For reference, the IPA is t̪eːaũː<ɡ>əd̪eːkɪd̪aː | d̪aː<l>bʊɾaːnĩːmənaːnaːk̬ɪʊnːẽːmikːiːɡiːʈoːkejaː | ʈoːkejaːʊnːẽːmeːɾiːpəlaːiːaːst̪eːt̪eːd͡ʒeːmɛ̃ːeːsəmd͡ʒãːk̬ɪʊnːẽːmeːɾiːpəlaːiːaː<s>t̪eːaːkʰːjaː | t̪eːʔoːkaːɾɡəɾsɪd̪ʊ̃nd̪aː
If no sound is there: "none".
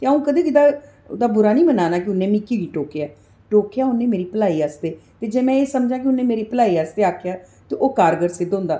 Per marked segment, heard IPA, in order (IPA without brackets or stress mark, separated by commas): k, none, s